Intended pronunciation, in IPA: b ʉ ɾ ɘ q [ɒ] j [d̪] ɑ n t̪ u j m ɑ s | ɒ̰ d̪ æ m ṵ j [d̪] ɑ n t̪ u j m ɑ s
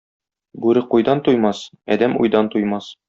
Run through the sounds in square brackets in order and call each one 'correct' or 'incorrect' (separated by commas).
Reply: incorrect, correct, correct